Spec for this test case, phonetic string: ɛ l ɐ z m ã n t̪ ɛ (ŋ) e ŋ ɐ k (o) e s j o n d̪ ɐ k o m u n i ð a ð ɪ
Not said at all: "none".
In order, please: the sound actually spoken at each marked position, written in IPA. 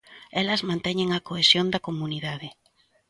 ɲ, o

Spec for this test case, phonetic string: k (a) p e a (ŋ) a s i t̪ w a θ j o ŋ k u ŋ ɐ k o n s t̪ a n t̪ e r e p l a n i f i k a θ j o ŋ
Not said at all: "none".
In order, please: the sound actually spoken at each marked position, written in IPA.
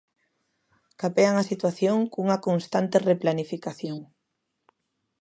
a, ŋ

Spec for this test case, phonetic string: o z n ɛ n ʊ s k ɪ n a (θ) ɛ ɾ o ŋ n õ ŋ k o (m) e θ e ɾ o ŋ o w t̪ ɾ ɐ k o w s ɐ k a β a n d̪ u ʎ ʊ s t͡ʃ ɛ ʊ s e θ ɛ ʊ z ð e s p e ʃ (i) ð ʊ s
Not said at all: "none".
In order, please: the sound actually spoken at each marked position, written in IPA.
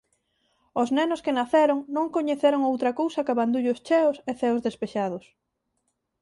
θ, ɲ, a

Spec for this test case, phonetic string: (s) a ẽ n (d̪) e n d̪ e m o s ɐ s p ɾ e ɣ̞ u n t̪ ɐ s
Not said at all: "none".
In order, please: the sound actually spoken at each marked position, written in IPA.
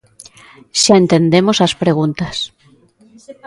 ʃ, t̪

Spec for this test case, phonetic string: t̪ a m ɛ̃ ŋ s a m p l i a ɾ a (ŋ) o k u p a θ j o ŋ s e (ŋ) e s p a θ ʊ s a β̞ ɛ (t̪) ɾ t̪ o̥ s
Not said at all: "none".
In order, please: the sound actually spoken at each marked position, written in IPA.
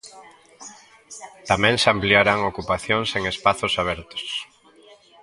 ŋ, ŋ, none

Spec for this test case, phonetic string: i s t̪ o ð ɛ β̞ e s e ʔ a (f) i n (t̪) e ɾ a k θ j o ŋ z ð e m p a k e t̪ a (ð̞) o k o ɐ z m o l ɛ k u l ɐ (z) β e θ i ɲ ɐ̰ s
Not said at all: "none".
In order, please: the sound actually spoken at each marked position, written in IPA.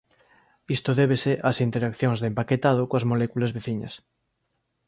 s, t̪, ð̞, z

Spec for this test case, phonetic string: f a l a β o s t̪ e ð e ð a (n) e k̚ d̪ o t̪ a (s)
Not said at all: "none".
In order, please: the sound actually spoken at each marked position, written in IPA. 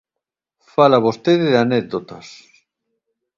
n, s

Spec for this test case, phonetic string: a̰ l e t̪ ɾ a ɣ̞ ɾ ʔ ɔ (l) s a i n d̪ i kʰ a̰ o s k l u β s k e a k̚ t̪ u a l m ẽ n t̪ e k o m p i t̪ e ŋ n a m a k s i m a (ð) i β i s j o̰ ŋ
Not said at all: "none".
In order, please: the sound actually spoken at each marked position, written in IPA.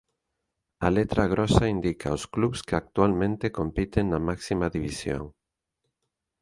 none, ð

